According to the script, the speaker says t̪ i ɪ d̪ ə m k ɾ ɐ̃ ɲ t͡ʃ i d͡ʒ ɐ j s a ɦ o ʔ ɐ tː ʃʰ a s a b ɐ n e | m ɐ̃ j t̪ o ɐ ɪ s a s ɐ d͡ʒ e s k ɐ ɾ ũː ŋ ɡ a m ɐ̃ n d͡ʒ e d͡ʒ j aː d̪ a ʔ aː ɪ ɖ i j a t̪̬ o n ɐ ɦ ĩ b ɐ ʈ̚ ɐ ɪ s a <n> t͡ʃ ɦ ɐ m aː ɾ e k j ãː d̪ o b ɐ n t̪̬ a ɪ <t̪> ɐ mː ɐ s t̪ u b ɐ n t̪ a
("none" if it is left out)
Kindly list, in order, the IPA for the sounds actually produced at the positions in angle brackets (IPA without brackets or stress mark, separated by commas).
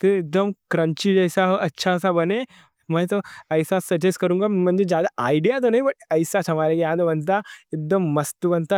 none, d̪